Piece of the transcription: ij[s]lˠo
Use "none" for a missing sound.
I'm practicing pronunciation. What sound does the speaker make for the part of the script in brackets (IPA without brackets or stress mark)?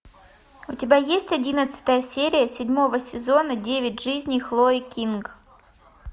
x